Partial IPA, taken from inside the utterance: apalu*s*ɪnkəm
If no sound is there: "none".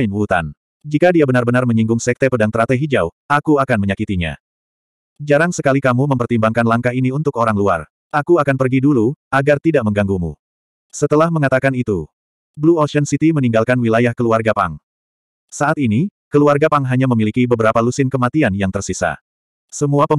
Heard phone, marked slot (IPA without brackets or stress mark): s